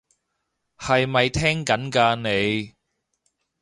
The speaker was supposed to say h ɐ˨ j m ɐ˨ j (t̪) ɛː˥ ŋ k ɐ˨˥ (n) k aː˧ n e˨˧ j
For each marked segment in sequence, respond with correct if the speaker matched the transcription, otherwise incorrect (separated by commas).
incorrect, correct